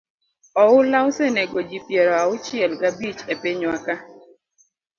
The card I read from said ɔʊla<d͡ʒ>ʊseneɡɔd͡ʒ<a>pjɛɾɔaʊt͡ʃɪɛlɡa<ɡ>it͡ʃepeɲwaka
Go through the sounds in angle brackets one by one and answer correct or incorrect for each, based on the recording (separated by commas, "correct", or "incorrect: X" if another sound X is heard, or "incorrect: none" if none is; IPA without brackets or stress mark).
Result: incorrect: none, incorrect: i, incorrect: b